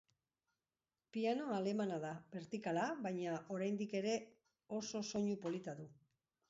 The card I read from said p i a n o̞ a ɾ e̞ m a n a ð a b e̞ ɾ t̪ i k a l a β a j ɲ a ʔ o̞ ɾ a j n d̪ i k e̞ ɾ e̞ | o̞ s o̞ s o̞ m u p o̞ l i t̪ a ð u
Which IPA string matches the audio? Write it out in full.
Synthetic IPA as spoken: p i a n o̞ a l e̞ m a n a ð a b e̞ ɾ t̪ i k a l a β a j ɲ a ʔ o̞ ɾ a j n d̪ i k e̞ ɾ e̞ | o̞ s o̞ s o̞ ɲ u p o̞ l i t̪ a ð u